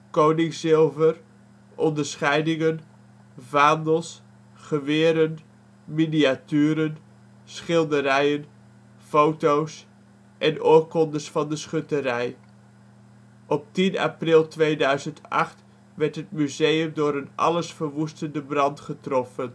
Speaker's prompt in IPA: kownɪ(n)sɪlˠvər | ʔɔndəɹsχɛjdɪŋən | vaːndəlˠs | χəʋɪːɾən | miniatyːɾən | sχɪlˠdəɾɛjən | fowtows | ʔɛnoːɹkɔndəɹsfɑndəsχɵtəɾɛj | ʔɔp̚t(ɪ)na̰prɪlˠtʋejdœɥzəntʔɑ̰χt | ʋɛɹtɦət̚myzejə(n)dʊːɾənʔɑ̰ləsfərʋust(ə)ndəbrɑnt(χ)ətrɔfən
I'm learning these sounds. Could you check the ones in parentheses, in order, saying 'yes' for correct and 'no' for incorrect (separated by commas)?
no, no, no, yes, yes